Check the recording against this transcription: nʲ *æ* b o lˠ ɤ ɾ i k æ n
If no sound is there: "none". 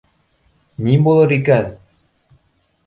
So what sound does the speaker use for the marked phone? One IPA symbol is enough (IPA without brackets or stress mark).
i